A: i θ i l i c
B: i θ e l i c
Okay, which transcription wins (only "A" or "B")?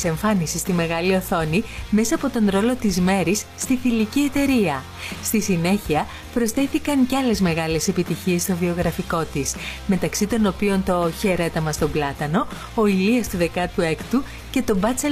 A